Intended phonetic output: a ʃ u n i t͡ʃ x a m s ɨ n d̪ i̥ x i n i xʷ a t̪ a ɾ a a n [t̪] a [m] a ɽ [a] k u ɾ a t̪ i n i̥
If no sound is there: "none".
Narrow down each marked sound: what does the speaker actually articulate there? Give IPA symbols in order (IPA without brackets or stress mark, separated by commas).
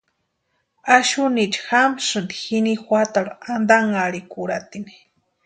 d̪, ŋ, i